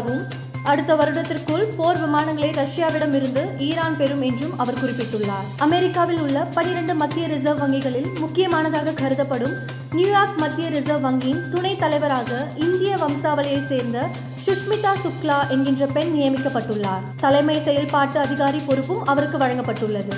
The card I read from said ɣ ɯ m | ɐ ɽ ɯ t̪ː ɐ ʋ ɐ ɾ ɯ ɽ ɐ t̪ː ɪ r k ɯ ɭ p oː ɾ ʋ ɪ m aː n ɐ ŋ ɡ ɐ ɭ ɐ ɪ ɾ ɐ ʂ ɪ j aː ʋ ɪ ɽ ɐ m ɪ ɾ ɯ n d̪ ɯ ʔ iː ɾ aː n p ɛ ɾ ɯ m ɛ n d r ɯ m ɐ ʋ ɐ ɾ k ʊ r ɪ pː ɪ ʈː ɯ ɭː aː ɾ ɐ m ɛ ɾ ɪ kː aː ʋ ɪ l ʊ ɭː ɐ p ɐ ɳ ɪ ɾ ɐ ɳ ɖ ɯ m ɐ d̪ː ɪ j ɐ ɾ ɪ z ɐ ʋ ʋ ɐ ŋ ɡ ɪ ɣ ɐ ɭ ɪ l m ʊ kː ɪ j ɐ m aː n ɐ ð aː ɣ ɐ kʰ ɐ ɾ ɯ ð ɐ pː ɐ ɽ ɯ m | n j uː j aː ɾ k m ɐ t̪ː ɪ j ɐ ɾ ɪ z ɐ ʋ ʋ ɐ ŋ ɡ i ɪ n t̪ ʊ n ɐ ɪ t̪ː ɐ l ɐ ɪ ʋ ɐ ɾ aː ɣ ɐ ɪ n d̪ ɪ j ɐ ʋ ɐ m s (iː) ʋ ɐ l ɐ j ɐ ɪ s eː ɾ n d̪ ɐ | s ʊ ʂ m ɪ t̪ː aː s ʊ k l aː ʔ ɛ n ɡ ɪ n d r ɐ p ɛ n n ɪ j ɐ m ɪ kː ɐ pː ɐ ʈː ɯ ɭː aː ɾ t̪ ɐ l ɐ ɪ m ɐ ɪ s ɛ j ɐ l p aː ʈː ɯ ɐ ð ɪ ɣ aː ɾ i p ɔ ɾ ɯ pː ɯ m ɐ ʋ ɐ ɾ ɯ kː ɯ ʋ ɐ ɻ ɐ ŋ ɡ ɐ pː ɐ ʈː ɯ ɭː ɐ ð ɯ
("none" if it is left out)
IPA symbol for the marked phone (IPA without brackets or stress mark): aː